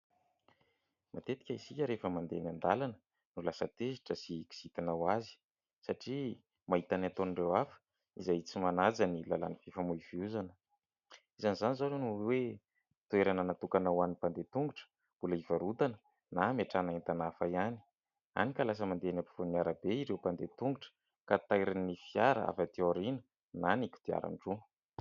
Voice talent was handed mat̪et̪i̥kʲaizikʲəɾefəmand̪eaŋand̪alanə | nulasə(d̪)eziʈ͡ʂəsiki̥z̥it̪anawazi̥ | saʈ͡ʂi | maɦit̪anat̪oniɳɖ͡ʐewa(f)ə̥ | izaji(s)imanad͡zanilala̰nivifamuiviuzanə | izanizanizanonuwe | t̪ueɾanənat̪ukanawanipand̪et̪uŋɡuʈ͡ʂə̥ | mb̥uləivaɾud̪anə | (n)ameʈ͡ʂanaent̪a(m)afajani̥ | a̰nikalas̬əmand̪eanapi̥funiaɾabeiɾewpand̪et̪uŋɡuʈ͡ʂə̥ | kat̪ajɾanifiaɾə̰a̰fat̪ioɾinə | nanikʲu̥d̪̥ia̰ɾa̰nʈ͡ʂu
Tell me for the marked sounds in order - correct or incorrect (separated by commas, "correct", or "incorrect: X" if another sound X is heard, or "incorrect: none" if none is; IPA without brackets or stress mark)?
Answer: incorrect: t̪, correct, incorrect: t͡s, correct, incorrect: n